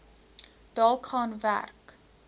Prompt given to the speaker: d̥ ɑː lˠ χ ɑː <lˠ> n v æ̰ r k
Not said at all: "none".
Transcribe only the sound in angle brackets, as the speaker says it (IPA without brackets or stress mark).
none